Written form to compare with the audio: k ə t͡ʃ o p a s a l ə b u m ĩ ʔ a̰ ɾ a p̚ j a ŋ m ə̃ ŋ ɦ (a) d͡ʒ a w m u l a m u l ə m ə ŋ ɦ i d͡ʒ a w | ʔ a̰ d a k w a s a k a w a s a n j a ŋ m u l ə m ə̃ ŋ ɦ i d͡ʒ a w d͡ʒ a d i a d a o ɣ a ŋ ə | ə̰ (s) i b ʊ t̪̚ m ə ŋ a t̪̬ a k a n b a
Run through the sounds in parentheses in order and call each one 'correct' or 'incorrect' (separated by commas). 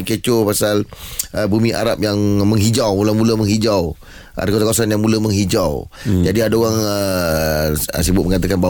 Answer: incorrect, correct